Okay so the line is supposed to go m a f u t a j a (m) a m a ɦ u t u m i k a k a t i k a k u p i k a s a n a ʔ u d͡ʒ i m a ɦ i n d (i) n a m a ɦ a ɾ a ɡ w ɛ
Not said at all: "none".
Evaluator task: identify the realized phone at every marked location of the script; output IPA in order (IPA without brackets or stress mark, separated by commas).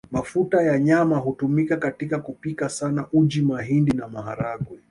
ɲ, i